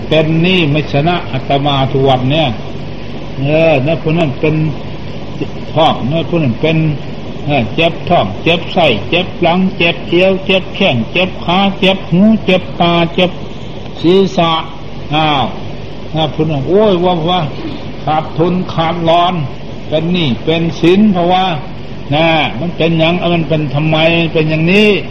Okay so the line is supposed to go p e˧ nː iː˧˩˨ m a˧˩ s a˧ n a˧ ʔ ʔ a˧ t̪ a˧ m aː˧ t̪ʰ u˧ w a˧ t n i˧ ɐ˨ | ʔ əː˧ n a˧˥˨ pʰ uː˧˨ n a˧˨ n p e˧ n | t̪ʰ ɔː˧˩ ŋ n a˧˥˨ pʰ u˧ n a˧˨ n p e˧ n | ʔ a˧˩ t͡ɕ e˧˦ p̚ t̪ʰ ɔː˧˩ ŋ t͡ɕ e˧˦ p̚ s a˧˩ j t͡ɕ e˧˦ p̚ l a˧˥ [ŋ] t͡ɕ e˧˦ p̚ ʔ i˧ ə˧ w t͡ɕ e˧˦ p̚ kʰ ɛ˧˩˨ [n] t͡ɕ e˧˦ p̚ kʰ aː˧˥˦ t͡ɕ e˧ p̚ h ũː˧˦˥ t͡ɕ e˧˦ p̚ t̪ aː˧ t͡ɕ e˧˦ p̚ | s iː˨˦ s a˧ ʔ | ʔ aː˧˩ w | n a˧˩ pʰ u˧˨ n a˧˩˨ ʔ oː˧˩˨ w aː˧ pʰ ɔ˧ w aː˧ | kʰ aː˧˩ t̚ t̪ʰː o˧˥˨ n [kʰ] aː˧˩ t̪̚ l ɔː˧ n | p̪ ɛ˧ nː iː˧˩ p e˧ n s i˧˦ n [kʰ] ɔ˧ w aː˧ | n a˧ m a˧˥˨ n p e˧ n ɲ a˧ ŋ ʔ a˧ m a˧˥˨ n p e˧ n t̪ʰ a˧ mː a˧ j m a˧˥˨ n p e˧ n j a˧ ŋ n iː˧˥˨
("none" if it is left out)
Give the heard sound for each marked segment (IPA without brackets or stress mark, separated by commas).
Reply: ŋ, ŋ, kʰ, pʰ